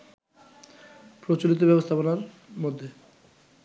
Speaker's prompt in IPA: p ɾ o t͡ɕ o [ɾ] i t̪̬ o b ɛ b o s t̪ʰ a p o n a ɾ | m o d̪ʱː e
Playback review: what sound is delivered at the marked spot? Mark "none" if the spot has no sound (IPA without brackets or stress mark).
l